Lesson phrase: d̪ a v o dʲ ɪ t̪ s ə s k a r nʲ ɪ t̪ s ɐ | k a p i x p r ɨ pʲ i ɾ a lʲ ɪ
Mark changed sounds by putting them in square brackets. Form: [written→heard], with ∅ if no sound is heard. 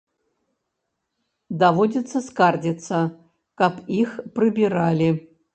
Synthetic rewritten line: d̪ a v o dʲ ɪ t̪ s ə s k a r [nʲ→dʲ] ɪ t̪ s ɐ | k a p i x p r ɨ [pʲ→bʲ] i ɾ a lʲ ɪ

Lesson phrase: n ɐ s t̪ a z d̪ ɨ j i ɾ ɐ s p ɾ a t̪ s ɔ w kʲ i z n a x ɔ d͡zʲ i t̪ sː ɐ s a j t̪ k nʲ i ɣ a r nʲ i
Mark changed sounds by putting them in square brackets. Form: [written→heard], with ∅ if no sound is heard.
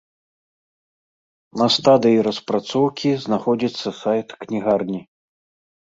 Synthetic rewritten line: n ɐ s t̪ a [z→∅] d̪ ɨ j i ɾ ɐ s p ɾ a t̪ s ɔ w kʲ i z n a x ɔ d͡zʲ i t̪ sː ɐ s a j t̪ k nʲ i ɣ a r nʲ i

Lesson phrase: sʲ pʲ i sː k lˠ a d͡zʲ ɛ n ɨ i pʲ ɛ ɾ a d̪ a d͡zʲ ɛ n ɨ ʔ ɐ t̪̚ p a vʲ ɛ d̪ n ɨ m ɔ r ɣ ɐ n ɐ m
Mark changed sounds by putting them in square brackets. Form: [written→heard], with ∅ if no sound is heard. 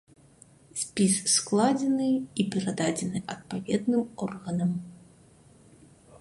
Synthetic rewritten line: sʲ pʲ i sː k lˠ a d͡zʲ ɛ n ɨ i pʲ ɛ ɾ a d̪ a d͡zʲ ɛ n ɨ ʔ ɐ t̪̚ p a vʲ ɛ d̪ n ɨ m ɔ r ɣ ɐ n ɐ m

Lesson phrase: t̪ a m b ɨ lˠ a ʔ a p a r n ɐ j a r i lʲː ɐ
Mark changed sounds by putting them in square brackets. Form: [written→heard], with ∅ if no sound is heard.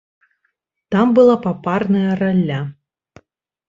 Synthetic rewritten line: t̪ a m b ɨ lˠ a [ʔ→p] a p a r n ɐ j [a→ɐ] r [i→a] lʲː [ɐ→a]

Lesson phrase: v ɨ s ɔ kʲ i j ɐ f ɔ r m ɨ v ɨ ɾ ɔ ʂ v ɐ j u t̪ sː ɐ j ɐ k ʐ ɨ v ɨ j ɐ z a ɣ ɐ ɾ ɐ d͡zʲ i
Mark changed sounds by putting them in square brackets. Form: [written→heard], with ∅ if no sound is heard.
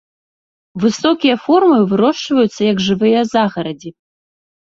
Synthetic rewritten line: v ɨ s ɔ kʲ i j ɐ f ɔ r m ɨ v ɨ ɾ ɔ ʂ v ɐ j u t̪ sː ɐ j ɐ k ʐ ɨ v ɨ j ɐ z a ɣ ɐ ɾ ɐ d͡zʲ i

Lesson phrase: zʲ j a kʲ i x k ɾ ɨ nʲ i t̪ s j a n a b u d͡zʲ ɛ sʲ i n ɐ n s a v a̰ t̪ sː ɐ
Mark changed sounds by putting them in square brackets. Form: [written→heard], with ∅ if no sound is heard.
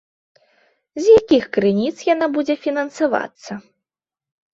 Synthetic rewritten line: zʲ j a kʲ i x k ɾ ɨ nʲ i t̪ s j a n a b u d͡zʲ ɛ [sʲ→fʲ] i n ɐ n s a v a̰ t̪ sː ɐ

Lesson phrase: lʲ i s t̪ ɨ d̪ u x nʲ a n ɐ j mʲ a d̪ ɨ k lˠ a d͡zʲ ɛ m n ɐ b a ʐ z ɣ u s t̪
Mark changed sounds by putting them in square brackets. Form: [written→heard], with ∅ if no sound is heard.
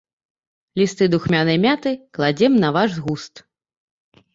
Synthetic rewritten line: lʲ i s t̪ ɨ d̪ u x [nʲ→mʲ] a n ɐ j mʲ a [d̪→t̪] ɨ k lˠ a d͡zʲ ɛ m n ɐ [b→v] a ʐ z ɣ u s t̪

